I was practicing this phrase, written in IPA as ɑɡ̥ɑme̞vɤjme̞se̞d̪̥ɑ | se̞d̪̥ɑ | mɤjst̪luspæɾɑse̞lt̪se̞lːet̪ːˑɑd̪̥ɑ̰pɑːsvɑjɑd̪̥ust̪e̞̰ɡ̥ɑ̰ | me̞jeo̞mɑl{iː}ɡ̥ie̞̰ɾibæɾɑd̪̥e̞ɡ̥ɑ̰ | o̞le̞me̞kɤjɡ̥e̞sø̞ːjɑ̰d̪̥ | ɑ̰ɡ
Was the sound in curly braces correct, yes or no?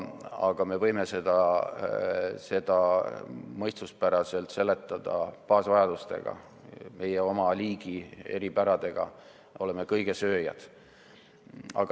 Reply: yes